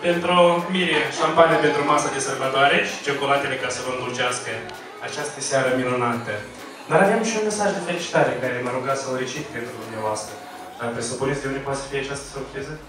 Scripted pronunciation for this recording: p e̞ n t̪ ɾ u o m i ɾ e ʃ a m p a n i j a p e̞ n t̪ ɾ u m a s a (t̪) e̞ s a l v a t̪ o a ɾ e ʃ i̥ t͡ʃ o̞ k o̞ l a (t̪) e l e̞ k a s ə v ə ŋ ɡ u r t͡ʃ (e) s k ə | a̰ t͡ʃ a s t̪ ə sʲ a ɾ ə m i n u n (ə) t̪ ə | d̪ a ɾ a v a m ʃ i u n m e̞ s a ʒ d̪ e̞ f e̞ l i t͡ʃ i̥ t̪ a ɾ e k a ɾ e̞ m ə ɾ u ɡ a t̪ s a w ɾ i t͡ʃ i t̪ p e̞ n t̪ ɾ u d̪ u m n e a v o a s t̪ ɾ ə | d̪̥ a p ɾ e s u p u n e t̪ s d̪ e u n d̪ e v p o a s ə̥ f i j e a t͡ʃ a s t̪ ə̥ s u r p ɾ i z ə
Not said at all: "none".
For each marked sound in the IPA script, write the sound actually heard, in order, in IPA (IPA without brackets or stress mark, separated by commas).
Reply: d̪, t̪, a, a